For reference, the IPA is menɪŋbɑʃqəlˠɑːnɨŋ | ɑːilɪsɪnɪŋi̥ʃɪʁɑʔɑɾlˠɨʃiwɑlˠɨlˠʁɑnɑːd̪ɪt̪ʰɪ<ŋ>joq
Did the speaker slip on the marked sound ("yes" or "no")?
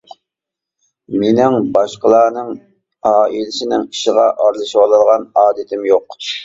yes